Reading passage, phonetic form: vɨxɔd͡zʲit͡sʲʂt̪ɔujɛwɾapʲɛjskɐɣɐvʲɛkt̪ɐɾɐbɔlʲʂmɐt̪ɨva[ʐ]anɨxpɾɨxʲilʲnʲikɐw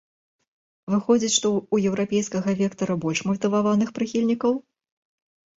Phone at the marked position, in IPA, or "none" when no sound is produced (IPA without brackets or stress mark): v